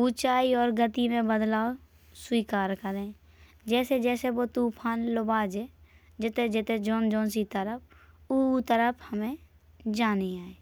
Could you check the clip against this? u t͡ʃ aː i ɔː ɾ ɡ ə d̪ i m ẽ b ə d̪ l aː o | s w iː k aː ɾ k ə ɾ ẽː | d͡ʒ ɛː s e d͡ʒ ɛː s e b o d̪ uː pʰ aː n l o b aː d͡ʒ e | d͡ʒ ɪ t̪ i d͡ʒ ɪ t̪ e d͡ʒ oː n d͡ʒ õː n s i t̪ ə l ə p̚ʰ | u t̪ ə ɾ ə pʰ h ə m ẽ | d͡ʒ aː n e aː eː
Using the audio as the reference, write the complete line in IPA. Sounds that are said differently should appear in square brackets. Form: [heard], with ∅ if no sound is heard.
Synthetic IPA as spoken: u t͡ʃ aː i ɔː ɾ ɡ ə [t̪] i m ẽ b ə d̪ l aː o | s w iː k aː ɾ k ə ɾ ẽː | d͡ʒ ɛː s e d͡ʒ ɛː s e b o [t̪] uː pʰ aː n l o b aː d͡ʒ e | d͡ʒ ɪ t̪ [e] d͡ʒ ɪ t̪ e d͡ʒ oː n d͡ʒ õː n s i t̪ ə [ɾ] ə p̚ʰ | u t̪ ə ɾ ə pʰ h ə m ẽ | d͡ʒ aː n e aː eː